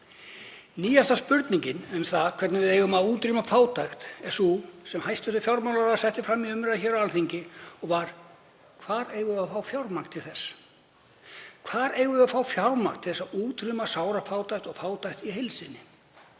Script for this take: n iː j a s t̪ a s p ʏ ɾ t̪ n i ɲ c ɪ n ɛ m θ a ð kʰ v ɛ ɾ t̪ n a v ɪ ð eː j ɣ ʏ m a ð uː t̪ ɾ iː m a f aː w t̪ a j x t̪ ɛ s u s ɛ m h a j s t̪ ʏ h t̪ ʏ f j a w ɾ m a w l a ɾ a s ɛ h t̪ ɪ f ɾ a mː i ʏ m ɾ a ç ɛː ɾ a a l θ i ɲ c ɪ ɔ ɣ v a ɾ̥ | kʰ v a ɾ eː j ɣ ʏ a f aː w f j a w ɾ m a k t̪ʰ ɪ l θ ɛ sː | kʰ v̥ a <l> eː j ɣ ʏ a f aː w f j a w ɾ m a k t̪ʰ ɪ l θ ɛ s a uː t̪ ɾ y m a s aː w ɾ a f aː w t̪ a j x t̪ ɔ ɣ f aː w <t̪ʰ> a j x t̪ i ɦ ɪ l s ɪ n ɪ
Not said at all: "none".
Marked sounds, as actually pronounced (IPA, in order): ɾ, t̪

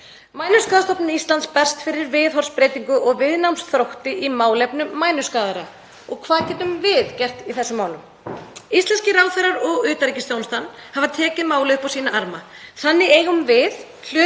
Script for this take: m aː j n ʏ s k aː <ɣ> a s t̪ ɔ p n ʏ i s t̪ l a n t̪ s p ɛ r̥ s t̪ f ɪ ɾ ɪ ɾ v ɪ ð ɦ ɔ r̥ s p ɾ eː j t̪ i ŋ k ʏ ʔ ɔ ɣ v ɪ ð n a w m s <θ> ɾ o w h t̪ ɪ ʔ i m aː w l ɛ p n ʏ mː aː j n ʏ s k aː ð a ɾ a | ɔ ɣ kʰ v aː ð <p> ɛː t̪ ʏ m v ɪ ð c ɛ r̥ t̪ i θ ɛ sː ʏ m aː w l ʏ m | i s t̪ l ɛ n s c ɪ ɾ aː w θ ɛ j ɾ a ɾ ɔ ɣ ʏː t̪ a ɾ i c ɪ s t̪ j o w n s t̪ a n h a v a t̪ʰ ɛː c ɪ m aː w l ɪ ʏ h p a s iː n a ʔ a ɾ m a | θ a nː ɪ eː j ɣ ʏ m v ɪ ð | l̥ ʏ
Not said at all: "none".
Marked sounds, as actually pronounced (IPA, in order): ð, θ, c

